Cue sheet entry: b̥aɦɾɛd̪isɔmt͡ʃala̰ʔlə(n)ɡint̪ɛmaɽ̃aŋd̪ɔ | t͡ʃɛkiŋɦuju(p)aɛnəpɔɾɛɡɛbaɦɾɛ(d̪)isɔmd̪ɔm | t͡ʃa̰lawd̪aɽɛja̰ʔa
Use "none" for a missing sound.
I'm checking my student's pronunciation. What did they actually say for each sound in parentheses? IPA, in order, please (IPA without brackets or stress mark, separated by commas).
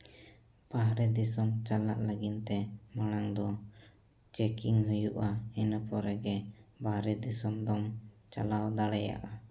none, ʔ, d̪